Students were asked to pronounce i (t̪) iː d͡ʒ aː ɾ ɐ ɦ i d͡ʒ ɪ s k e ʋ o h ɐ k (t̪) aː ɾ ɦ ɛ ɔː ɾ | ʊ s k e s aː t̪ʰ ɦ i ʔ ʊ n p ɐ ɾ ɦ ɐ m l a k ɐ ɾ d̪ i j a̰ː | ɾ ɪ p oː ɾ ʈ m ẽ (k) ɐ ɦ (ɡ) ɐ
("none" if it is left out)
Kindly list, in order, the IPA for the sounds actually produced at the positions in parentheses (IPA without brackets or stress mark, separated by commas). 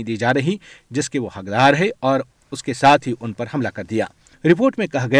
d̪, d̪, k, ɡ